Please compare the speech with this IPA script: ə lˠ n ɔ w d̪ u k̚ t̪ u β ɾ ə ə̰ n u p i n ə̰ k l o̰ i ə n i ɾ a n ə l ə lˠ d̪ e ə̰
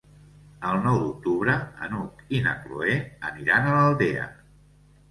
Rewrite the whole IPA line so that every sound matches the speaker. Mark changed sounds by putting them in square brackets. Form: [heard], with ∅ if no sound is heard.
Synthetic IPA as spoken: ə lˠ n ɔ w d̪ u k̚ t̪ u β ɾ ə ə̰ n u [k] i n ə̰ k l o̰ [e] ə n i ɾ a n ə l ə lˠ d̪ e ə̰